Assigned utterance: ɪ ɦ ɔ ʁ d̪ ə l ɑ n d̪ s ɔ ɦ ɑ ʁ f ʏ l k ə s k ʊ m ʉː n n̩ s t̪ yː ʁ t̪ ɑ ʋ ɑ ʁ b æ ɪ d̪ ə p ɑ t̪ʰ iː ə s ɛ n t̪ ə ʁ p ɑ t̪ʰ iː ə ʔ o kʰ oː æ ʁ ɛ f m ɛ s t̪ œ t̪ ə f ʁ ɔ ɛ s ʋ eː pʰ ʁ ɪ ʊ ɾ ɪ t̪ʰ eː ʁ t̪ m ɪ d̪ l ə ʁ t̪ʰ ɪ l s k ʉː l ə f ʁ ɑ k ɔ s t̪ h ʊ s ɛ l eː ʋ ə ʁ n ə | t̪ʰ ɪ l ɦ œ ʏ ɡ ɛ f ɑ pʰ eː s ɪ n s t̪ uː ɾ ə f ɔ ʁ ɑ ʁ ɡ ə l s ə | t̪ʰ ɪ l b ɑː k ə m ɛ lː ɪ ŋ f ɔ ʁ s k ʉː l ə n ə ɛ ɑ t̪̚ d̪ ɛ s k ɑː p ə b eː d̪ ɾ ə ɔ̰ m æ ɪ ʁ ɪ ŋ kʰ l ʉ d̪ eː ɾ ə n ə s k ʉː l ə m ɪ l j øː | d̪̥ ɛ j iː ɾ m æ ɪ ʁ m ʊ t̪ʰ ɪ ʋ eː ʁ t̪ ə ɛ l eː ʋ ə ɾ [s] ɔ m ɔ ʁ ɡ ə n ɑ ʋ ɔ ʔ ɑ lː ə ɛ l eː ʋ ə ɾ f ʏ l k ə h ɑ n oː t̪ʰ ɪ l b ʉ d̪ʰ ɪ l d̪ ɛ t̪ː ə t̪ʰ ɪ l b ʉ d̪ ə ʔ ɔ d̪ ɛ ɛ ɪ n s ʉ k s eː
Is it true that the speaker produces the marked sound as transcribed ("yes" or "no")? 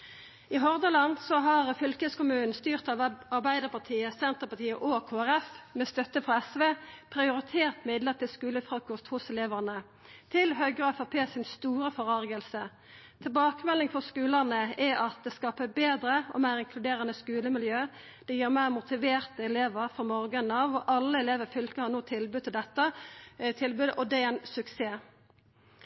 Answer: no